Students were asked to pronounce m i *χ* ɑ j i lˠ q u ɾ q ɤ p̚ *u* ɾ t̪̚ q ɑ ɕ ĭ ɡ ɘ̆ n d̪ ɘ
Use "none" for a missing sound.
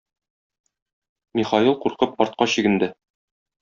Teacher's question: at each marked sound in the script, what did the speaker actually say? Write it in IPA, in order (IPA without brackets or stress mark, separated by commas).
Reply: χ, ɒ